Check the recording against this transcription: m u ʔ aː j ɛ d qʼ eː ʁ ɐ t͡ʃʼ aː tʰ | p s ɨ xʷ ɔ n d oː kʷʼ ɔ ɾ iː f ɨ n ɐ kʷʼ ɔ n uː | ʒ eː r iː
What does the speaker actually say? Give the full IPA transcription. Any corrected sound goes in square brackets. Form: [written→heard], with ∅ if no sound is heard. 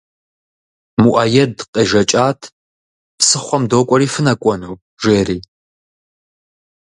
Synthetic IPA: m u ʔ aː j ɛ d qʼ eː [ʁ→ʒ] ɐ t͡ʃʼ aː tʰ | p s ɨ [xʷ→χʷ] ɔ [n→m] d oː kʷʼ ɔ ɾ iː f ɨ n ɐ kʷʼ ɔ n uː | ʒ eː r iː